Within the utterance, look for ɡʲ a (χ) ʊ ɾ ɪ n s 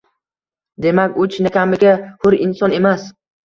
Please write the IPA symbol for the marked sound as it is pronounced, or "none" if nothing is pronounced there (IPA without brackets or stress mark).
h